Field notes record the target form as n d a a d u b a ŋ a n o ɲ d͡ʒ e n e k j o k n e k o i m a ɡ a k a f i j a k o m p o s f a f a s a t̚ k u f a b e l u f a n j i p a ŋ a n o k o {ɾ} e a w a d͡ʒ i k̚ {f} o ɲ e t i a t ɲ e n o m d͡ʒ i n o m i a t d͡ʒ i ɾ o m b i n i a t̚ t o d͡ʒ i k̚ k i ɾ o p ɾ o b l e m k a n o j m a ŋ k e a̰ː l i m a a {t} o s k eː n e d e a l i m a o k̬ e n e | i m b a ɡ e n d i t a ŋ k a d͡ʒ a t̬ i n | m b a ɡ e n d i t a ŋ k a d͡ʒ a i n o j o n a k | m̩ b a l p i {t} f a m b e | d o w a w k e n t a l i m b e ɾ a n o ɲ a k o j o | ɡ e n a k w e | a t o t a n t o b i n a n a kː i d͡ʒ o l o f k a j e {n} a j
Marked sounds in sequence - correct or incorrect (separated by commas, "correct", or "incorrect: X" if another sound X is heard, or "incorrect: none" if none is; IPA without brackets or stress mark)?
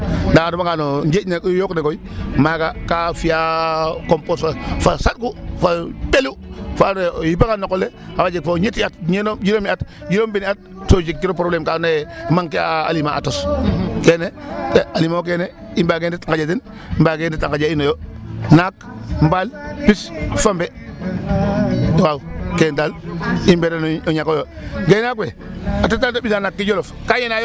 incorrect: l, correct, correct, incorrect: s, correct